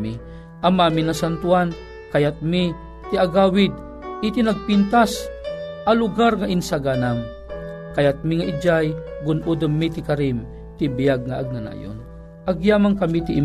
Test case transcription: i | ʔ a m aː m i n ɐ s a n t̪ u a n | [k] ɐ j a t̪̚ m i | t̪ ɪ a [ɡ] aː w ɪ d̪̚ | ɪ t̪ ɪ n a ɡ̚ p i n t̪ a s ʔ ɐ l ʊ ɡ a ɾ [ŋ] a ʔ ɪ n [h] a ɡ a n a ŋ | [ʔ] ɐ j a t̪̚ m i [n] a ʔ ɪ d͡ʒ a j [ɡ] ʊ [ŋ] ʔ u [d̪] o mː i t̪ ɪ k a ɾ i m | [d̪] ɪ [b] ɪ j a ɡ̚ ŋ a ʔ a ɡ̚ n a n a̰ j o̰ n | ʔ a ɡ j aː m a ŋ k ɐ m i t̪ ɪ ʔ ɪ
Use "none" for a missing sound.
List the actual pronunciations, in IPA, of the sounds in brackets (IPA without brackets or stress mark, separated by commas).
k, ɡ, ŋ, s, k, ŋ, ɡ, n, d̪, t̪, b